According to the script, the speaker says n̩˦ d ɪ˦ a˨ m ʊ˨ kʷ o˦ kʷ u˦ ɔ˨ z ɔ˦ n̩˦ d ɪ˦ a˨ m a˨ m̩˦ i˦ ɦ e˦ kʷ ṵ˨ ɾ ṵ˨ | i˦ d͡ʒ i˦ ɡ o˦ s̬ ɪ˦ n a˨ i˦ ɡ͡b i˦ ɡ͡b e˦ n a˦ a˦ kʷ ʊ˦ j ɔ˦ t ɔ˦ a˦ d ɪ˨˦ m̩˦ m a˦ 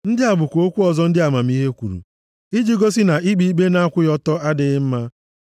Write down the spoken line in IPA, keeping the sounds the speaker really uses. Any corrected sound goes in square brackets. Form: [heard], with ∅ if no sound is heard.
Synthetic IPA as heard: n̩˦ d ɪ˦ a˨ [b] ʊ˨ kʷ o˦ kʷ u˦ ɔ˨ z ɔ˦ n̩˦ d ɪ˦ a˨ m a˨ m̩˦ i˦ ɦ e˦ kʷ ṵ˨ ɾ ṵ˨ | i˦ d͡ʒ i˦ ɡ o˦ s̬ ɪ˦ n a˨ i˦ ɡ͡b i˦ ɡ͡b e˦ n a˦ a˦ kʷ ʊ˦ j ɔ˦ t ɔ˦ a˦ d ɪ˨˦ m̩˦ m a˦